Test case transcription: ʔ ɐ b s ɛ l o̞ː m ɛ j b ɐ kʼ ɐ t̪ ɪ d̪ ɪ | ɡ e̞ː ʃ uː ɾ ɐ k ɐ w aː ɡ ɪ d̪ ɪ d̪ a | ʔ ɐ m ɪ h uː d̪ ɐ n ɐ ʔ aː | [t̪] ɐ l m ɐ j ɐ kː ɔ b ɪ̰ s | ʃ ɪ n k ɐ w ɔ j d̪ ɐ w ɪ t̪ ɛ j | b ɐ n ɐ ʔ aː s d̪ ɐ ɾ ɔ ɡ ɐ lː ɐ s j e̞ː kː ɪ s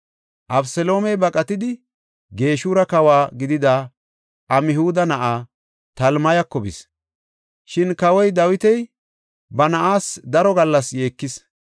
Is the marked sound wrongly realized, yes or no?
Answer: no